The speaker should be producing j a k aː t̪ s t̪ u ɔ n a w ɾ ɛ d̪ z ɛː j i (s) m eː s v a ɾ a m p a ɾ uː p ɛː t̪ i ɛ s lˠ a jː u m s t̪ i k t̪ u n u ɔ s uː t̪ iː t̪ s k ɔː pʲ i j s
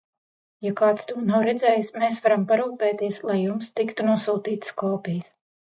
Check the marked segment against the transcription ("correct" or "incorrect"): correct